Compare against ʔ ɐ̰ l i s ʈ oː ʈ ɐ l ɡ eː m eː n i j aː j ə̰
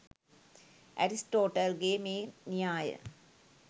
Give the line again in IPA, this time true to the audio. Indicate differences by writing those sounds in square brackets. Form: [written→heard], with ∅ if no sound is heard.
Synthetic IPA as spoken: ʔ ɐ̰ [l→ɾ] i s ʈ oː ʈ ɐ l ɡ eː m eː n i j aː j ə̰